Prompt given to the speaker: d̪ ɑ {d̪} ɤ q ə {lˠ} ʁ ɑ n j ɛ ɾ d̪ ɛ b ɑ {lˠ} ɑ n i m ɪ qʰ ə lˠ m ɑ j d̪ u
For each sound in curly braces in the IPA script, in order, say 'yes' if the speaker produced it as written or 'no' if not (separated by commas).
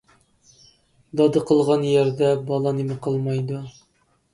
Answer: yes, yes, yes